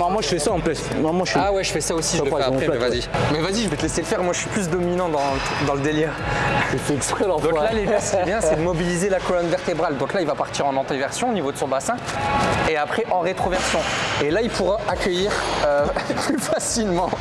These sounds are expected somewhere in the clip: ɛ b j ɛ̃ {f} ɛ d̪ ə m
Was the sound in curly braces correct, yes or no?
no